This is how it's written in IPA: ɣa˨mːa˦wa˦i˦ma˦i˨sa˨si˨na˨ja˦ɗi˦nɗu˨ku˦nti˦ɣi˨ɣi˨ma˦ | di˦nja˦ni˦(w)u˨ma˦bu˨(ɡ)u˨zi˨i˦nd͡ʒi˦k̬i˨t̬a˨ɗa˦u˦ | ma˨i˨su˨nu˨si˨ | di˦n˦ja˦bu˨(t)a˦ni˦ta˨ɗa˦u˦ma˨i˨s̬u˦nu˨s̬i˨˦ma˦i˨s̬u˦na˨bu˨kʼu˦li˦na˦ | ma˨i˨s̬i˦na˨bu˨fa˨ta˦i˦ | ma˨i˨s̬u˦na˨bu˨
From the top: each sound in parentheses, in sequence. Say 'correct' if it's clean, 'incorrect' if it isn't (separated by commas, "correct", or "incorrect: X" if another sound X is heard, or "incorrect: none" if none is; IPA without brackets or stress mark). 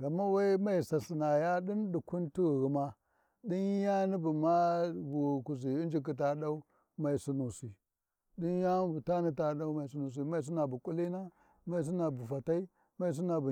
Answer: incorrect: b, incorrect: k, correct